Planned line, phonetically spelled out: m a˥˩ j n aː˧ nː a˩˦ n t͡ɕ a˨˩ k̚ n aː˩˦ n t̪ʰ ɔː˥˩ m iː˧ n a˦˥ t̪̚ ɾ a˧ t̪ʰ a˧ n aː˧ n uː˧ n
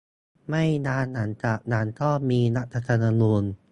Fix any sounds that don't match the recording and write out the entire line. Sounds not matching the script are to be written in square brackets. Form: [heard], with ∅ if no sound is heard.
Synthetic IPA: m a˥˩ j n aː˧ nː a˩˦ n t͡ɕ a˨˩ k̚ n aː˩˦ n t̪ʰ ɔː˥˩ m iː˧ n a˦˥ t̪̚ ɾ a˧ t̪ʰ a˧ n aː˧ n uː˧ n